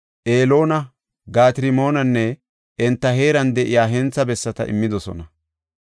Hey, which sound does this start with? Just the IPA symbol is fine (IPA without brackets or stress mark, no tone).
ʔ